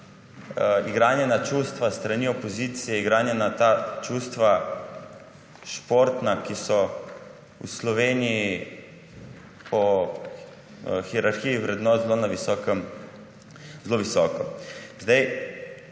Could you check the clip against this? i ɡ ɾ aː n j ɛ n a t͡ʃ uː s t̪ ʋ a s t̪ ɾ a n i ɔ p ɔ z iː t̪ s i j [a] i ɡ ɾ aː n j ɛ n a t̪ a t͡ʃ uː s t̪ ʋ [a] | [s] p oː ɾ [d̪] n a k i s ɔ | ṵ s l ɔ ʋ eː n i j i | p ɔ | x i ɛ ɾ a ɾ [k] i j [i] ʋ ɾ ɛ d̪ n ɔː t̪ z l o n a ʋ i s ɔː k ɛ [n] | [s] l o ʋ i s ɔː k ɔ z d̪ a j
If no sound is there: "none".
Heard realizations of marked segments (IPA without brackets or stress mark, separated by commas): ɛ, a, ʃ, t̪, x, i, m, z